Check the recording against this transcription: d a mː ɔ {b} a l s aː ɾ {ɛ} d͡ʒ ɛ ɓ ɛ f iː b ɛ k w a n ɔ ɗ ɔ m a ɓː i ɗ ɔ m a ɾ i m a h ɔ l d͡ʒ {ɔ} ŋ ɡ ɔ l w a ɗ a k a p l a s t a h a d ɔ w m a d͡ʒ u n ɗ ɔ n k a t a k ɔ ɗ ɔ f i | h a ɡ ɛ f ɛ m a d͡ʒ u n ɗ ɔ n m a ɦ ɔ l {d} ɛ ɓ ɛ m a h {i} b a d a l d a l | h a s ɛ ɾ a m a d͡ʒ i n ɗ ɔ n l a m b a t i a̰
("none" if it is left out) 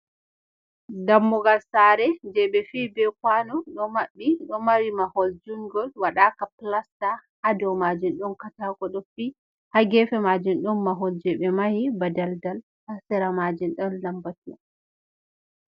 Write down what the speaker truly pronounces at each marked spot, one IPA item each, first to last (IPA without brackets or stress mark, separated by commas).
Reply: ɡ, ɛ, u, d͡ʒ, i